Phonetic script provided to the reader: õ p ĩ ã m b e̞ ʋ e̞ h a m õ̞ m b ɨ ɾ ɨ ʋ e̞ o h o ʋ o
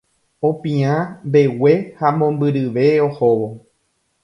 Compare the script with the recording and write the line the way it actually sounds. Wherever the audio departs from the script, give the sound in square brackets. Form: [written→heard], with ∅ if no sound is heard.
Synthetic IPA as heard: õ p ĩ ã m b e̞ [ʋ→w] e̞ h a m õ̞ m b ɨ ɾ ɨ ʋ e̞ o h o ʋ o